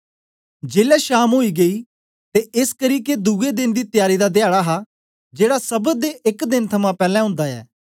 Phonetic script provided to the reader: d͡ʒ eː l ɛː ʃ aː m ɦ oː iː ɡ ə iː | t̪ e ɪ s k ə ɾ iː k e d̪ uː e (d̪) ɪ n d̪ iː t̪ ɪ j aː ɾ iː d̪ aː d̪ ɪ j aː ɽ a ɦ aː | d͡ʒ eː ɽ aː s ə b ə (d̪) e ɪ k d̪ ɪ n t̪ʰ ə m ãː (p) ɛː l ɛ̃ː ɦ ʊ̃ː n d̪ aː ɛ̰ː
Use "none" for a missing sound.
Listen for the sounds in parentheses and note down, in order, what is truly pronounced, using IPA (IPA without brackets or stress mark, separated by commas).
d̪, d̪, p